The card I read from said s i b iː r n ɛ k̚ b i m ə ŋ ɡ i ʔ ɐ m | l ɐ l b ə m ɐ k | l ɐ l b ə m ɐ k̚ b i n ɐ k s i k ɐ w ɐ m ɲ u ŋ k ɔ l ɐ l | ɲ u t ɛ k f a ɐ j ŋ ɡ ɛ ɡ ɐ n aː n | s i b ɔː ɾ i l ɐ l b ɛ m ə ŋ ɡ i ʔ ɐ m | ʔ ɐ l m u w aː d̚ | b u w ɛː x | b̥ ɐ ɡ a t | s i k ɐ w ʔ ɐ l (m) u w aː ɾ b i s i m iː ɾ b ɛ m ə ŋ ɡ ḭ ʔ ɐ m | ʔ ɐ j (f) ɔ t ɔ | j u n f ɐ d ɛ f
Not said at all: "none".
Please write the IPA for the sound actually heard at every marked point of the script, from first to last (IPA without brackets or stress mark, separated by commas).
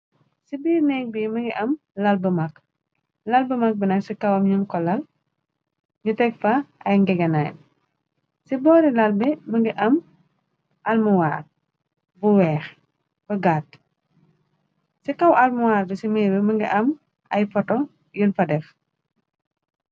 m, f